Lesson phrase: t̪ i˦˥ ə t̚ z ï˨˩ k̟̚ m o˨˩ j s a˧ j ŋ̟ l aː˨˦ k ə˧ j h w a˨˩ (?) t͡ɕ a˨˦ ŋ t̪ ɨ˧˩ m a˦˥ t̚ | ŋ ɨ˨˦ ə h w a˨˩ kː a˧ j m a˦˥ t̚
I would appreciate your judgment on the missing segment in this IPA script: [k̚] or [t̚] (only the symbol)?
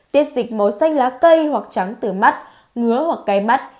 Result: k̚